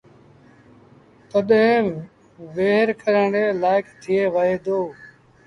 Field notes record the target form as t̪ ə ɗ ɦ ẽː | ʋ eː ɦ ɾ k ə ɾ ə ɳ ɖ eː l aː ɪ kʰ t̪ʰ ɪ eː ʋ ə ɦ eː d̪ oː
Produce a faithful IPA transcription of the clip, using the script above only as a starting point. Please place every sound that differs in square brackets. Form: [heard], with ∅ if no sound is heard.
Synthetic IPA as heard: t̪ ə ɗ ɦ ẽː | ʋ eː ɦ ɾ k ə ɾ ə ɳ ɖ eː l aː ɪ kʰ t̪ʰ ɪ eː ʋ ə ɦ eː d̪ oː